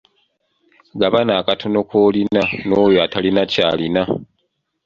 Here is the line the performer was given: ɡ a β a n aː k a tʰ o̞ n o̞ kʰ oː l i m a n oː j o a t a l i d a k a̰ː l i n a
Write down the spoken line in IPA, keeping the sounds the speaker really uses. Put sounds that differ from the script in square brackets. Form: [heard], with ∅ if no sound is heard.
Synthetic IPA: ɡ a β a n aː k a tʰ o̞ n o̞ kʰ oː l i [n] a n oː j o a t a l i [n] a [c] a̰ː l i n a